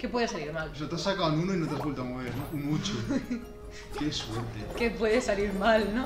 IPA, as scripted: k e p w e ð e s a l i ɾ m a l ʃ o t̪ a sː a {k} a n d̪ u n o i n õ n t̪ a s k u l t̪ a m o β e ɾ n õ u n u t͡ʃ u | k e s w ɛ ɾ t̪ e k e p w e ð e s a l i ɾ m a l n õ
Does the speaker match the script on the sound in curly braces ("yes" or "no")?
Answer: yes